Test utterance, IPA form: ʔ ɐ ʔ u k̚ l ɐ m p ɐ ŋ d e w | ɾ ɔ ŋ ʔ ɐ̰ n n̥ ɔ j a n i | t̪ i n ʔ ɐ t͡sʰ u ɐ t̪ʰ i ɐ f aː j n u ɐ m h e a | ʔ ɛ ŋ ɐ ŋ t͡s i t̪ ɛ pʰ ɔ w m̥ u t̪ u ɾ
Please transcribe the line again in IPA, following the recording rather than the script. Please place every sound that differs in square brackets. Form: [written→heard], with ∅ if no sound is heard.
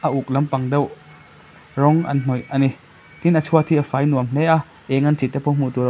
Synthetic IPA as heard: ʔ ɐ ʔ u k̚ l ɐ m p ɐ ŋ d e w | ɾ ɔ ŋ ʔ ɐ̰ n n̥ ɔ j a n i | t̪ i n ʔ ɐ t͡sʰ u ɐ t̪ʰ i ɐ f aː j n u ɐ m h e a | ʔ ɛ ŋ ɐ [ŋ→n] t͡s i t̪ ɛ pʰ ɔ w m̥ u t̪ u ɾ